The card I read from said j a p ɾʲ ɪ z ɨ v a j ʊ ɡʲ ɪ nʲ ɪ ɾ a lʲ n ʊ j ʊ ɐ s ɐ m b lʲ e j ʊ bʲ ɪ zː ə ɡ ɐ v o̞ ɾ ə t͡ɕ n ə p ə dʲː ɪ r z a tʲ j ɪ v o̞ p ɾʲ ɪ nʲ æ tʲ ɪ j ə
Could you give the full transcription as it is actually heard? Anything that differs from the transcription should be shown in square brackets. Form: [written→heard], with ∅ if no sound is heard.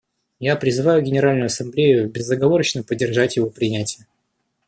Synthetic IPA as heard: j a p ɾʲ ɪ z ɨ v a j ʊ ɡʲ ɪ nʲ ɪ ɾ a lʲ n ʊ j ʊ ɐ s ɐ m b lʲ e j ʊ bʲ ɪ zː ə ɡ ɐ v o̞ ɾ ə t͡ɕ n ə p ə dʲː ɪ r [z→ʐ] a tʲ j ɪ v o̞ p ɾʲ ɪ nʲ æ tʲ ɪ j ə